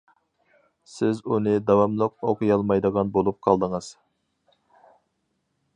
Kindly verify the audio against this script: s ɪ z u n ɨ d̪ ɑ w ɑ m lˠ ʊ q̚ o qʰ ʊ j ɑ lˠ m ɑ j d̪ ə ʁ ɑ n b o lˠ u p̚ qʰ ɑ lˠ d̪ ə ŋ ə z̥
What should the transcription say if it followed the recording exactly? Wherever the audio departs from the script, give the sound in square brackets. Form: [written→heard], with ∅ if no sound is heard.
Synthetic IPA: s ɪ z u n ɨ d̪ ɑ w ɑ m lˠ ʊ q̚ o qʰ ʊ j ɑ lˠ m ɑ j d̪ ə ʁ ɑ n b o lˠ u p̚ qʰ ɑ lˠ d̪ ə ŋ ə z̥